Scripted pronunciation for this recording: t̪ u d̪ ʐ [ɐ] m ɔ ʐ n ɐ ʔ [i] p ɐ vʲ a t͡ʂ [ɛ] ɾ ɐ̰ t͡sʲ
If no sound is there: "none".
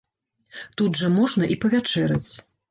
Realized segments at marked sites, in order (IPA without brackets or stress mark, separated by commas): ɐ, i, ɛ